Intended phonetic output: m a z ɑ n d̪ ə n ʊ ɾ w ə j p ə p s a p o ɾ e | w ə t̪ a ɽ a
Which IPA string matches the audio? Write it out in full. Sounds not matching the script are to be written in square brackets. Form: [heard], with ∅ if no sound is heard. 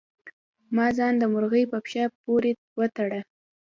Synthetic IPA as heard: m [ɑ] z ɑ n d̪ ə [m] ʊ ɾ [ɣ] ə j p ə p [ʃ] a p o ɾ e | w ə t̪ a ɽ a